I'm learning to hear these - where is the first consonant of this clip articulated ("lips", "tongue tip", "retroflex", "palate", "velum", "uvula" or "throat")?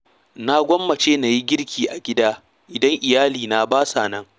tongue tip